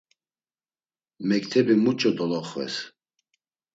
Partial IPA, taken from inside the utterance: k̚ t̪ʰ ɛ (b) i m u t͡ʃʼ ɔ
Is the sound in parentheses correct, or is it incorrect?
correct